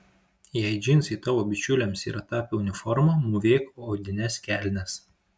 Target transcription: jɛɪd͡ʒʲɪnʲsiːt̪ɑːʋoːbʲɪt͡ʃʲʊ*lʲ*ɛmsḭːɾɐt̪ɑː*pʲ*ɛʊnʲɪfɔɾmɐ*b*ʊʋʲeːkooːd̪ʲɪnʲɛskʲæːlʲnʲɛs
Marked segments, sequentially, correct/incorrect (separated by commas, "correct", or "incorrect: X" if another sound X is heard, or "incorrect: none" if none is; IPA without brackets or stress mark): correct, correct, incorrect: m